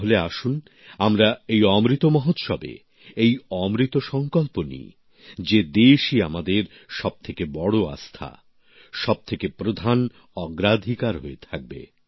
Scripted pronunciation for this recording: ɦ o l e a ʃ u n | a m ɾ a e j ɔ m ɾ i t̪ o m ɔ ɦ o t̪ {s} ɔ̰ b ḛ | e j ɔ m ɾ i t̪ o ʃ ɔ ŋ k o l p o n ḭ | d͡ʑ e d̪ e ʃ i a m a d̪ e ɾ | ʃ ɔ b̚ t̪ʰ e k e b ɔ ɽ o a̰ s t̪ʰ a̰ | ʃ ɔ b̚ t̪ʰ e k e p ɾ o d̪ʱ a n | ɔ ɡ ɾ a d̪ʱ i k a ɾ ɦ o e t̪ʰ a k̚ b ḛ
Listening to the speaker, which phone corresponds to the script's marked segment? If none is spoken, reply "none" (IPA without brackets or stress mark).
ʃ